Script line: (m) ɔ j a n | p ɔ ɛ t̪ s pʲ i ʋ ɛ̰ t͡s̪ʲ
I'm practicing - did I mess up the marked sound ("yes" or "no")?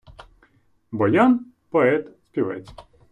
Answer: yes